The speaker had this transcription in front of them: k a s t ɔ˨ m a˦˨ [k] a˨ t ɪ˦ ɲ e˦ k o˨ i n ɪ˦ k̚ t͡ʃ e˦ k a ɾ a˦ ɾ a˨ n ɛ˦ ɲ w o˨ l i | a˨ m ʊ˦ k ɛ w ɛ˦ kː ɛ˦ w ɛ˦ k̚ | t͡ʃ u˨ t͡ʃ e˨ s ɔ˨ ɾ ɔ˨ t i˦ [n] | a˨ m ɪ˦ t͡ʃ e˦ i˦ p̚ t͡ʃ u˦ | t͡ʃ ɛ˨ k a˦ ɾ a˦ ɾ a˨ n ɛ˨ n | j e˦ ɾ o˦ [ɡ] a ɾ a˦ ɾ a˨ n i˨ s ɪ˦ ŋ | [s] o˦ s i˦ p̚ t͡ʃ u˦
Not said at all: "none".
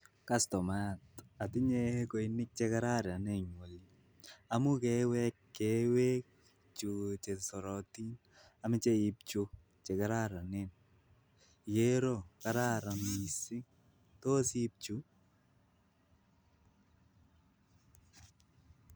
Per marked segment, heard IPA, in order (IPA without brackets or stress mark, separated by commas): t, n, k, t